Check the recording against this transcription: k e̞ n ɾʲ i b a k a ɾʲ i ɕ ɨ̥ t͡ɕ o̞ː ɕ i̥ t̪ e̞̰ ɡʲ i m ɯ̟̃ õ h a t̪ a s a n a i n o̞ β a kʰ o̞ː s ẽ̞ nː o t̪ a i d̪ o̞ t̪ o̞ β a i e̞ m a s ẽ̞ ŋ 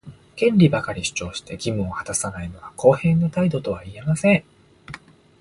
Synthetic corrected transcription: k ẽ̞ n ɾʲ i b a k a ɾʲ i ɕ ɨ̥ t͡ɕ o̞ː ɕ i̥ t̪ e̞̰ ɡʲ i m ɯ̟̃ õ h a t̪ a s a n a i n o̞ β a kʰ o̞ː h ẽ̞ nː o t̪ a i d̪ o̞ t̪ o̞ β a i e̞ m a s ẽ̞ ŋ